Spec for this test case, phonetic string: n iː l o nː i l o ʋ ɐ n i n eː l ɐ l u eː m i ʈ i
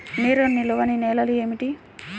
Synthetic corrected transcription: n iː ɾ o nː i l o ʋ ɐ n i n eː l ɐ l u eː m i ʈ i

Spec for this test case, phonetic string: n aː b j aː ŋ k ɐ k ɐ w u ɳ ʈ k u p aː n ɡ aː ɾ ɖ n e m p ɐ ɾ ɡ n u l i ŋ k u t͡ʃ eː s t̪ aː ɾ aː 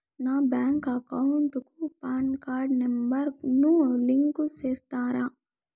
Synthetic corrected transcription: n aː b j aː ŋ k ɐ k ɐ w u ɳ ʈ k u p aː n k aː ɾ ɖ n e m b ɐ ɾ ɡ n u l i ŋ k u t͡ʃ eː s t̪ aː ɾ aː

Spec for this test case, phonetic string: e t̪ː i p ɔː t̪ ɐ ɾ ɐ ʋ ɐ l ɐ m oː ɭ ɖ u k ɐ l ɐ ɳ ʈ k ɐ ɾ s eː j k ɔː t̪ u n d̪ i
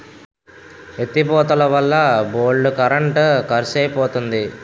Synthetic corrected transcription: e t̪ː i p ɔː t̪ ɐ l ɐ ʋ ɐ lː ɐ b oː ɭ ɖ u k ɐ ɾ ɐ ɳ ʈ k ɐ ɾ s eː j p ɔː t̪ u n d̪ i

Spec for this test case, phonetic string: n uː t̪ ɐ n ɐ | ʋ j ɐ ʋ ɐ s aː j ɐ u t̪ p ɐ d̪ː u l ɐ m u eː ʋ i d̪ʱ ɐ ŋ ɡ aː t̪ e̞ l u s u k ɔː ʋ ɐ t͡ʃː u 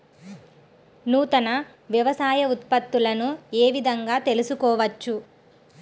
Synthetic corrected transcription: n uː t̪ ɐ n ɐ | ʋ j ɐ ʋ ɐ s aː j ɐ u t̪ p ɐ t̪ː u l ɐ n u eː ʋ i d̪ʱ ɐ ŋ ɡ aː t̪ e̞ l u s u k ɔː ʋ ɐ t͡ʃː u

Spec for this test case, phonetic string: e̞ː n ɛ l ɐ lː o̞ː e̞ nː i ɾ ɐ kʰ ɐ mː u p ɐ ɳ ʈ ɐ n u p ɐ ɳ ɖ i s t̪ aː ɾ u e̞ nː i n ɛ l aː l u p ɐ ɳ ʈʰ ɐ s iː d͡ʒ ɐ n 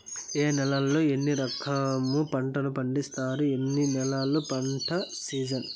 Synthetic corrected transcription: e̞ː n ɛ l ɐ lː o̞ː e̞ nː i ɾ ɐ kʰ ɐ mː u p ɐ ɳ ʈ ɐ n u p ɐ ɳ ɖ i s t̪ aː ɾ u e̞ nː i n ɛ l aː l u p ɐ ɳ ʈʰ ɐ s iː d͡ʒ ɐ n

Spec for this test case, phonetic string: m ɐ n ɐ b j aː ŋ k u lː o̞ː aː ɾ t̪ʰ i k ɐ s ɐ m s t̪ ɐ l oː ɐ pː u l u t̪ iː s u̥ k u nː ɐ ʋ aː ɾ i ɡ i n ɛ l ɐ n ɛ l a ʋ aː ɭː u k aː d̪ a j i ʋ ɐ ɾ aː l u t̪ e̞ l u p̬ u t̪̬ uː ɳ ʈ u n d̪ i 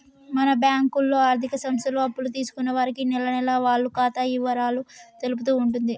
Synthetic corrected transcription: m ɐ n ɐ b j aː ŋ k u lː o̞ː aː ɾ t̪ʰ i k ɐ s ɐ m s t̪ ɐ l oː ɐ pː u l u t̪ iː s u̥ k u nː ɐ ʋ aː ɾ i k i n ɛ l ɐ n ɛ l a ʋ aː ɭː u k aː t̪ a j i ʋ ɐ ɾ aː l u t̪ e̞ l u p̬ u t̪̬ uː ɳ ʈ u n d̪ i

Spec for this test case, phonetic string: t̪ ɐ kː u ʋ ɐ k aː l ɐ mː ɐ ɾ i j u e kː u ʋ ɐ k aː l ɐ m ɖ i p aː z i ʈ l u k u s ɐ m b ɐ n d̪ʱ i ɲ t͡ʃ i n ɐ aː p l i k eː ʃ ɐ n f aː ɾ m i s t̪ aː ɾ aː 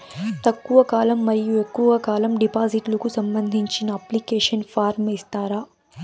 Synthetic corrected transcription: t̪ ɐ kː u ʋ ɐ k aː l ɐ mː ɐ ɾ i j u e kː u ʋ ɐ k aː l ɐ m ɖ i p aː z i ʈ l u k u s ɐ m b ɐ n d̪ʱ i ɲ t͡ʃ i n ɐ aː p l i k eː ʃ ɐ n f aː ɾ m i s t̪ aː ɾ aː

